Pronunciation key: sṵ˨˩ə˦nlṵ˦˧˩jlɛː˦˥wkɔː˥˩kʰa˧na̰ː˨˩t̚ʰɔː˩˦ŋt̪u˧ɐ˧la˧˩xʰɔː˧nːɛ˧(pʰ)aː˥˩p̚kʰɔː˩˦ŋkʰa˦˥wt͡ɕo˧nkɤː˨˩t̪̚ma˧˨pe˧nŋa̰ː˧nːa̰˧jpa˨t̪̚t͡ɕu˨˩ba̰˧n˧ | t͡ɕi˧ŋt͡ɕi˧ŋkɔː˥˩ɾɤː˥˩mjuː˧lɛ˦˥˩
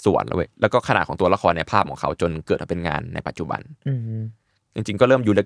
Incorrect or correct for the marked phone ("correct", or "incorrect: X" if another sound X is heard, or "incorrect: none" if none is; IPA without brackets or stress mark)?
correct